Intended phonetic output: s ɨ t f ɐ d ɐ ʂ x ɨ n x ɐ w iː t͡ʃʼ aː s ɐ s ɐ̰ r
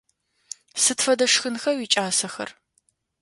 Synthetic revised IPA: s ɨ t f ɐ d ɐ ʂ x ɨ n x ɐ w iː t͡ʃʼ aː s ɐ x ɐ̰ r